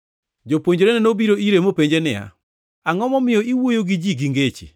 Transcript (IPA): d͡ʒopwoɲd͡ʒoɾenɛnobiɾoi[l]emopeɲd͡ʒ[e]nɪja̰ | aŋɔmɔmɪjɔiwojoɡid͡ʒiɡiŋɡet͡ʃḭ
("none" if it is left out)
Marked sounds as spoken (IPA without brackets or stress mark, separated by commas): ɾ, e